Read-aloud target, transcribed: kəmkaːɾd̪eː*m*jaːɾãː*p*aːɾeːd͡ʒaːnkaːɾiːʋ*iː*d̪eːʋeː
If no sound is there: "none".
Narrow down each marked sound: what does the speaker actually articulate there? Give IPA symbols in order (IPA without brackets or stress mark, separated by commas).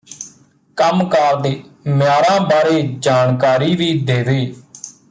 m, b, iː